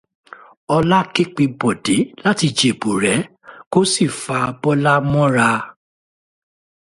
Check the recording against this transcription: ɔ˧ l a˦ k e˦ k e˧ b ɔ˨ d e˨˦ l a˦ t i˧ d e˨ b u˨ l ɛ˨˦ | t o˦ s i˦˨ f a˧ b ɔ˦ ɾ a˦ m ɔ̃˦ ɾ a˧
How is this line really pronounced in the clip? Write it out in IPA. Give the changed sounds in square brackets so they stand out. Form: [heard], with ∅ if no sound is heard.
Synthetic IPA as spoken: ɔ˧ l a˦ k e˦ [k͡p] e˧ b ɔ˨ d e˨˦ l a˦ t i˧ [d͡ʒ] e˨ b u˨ [ɾ] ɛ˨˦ | [k] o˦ s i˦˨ f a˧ b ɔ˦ [l] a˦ m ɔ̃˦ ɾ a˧